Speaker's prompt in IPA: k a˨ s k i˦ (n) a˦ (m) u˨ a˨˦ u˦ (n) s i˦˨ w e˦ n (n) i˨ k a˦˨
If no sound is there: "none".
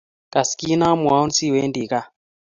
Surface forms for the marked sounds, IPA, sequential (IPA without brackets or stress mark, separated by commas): n, m, n, d